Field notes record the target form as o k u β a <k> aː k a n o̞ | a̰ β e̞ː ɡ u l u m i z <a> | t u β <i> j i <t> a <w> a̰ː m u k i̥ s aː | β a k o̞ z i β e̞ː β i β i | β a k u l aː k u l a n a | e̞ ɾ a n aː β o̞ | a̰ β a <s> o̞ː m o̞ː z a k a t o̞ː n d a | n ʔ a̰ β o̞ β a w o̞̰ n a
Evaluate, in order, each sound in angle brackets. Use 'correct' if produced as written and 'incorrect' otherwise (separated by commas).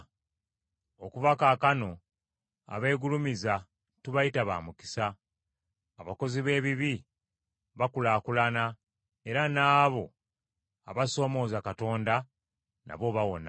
correct, correct, incorrect, correct, incorrect, correct